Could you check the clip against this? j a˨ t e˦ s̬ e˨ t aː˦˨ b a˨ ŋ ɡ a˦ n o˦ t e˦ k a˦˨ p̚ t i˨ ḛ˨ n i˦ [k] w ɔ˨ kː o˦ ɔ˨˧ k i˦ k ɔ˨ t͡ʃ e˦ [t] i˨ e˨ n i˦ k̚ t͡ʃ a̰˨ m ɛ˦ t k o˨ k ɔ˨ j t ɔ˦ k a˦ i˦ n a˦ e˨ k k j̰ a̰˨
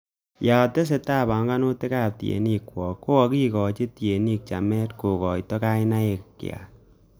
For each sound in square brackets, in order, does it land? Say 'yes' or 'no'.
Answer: yes, yes

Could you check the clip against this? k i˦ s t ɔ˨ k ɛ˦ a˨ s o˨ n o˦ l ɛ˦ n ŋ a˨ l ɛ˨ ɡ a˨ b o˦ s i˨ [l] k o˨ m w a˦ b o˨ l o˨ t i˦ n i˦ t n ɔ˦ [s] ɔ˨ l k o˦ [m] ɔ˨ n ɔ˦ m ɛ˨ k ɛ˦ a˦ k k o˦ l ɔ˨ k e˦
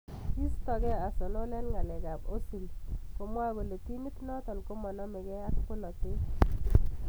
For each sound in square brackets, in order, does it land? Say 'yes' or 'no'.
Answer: yes, no, yes

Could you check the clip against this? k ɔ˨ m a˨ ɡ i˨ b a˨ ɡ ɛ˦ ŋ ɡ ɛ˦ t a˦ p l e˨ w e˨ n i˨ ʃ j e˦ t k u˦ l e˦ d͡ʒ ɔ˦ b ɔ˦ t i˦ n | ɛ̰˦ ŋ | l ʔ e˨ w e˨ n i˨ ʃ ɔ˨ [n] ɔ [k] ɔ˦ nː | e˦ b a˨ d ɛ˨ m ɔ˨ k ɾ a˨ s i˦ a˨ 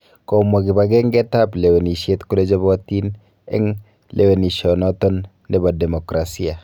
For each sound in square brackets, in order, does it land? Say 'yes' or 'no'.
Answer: yes, no

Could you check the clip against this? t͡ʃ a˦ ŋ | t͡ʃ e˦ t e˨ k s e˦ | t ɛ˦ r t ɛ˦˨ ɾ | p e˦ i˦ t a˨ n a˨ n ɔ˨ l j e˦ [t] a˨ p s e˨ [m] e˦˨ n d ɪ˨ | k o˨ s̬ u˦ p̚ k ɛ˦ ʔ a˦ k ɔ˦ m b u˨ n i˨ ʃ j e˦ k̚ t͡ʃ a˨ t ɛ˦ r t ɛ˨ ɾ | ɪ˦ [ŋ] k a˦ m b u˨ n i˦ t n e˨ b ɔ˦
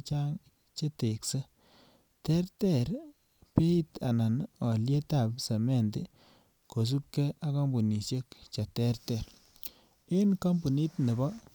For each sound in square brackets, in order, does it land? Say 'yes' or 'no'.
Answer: yes, yes, no

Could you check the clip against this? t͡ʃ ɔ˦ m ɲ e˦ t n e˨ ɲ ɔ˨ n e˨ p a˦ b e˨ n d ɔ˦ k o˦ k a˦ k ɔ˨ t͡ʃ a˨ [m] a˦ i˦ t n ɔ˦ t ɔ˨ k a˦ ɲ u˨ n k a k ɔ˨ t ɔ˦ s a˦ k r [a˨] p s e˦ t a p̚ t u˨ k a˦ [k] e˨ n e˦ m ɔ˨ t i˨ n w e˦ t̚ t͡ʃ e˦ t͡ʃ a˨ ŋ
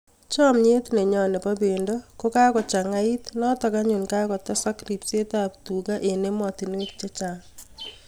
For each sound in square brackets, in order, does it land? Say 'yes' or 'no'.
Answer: no, no, no

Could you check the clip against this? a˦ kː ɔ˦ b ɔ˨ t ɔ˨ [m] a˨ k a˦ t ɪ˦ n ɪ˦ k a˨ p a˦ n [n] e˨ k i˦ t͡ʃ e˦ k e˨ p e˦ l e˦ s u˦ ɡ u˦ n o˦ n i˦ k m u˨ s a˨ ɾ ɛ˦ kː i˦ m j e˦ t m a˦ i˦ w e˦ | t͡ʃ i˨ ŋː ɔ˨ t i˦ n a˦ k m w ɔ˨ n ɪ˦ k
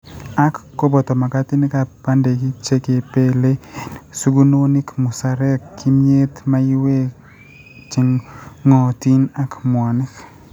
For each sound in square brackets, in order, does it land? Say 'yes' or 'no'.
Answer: yes, no

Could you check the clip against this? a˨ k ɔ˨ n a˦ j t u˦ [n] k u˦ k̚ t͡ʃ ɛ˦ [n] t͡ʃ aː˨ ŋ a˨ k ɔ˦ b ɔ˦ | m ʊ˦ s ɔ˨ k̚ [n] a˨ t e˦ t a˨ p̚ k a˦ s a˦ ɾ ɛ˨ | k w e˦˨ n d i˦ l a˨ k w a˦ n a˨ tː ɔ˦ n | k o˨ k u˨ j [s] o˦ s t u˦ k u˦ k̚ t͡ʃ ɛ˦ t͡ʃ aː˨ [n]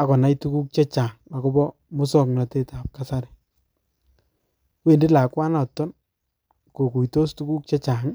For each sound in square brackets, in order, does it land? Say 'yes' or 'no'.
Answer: no, no, yes, no, no

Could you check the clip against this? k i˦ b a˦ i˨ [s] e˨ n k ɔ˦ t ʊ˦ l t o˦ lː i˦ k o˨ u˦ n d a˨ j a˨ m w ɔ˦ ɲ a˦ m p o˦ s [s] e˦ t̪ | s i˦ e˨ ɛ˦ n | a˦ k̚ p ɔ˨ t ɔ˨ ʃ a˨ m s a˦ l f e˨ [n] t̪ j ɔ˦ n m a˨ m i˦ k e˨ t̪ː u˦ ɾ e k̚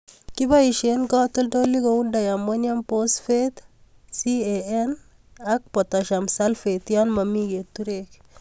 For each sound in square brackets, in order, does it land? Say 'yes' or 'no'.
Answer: no, no, no

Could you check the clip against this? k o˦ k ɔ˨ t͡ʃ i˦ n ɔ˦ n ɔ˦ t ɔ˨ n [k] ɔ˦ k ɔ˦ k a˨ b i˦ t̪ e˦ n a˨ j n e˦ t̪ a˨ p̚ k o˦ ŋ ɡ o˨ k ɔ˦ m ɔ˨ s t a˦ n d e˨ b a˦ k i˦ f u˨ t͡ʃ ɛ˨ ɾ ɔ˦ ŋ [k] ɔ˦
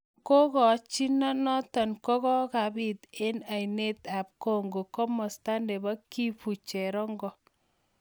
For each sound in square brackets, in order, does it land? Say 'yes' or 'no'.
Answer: yes, no

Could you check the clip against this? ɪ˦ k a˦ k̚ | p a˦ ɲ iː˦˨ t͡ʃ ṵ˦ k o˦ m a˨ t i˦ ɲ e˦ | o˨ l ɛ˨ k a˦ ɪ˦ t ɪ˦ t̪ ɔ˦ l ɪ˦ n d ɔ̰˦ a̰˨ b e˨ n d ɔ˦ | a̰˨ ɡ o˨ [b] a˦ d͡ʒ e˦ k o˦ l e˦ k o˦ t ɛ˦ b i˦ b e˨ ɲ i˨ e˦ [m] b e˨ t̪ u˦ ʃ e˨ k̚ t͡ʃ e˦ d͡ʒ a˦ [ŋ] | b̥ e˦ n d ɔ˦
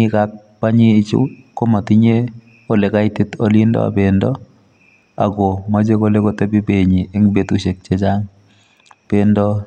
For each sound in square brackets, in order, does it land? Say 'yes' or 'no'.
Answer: no, no, yes

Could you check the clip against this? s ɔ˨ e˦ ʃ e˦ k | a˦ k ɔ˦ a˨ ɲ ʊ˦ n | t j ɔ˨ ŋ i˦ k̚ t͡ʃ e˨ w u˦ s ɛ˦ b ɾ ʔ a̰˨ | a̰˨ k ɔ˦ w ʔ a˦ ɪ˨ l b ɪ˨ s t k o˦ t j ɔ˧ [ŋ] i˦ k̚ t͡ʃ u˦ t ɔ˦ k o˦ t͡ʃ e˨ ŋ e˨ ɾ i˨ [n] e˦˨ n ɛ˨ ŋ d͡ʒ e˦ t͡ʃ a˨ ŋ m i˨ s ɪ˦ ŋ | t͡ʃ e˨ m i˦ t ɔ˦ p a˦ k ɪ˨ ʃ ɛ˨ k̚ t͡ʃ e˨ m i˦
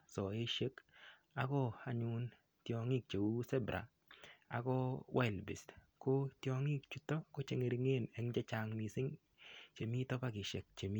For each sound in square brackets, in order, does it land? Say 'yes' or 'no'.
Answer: yes, no

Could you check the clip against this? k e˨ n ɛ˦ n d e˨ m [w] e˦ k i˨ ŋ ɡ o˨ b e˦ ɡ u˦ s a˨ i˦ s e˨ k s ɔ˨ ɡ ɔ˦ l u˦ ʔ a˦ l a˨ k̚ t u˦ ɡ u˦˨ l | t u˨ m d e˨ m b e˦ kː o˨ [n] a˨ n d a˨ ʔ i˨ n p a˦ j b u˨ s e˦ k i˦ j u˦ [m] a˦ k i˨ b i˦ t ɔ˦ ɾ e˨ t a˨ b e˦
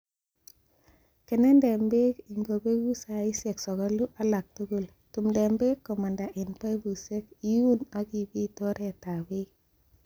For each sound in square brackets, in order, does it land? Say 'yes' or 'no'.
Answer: no, no, no

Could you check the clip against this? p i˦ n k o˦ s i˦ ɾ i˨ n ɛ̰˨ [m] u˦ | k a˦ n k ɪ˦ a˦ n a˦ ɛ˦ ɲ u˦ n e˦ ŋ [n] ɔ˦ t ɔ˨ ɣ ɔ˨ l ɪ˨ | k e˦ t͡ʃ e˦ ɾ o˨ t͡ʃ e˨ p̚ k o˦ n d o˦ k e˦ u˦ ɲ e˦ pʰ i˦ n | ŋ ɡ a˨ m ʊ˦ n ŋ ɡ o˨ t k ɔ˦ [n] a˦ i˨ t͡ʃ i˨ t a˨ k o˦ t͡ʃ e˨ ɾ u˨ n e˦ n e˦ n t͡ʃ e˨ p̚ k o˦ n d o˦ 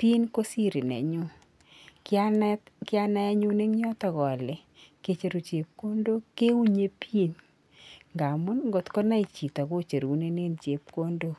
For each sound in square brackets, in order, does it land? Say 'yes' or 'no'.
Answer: no, no, yes

